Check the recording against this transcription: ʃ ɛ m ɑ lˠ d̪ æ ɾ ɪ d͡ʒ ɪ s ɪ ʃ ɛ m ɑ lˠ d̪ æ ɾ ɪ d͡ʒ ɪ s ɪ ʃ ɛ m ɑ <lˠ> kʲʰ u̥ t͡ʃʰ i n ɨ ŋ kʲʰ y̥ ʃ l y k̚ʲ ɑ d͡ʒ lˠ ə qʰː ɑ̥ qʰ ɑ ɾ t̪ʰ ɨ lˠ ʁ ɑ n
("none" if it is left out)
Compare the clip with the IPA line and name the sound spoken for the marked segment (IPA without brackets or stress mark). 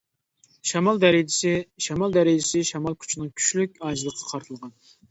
lˠ